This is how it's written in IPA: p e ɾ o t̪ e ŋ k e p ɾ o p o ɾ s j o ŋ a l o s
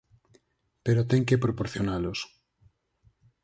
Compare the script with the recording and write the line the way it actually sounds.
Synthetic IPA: p e ɾ o t̪ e ŋ k e p ɾ o p o ɾ θ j o n a l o s